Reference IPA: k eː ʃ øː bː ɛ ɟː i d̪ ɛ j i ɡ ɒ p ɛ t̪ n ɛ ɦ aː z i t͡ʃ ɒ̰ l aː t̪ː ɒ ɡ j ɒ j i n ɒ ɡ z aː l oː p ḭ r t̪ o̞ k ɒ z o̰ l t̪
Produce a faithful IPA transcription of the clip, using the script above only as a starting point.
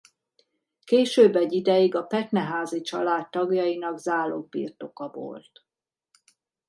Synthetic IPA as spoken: k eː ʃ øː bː ɛ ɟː i d̪ ɛ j i ɡ ɒ p ɛ t̪ n ɛ ɦ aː z i t͡ʃ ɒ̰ l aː t̪ː ɒ ɡ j ɒ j i n ɒ ɡ z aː l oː p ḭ r t̪ o̞ k ɒ v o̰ l t̪